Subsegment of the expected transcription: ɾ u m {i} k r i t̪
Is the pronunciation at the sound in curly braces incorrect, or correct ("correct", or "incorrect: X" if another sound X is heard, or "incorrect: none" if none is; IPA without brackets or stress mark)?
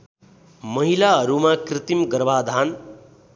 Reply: incorrect: a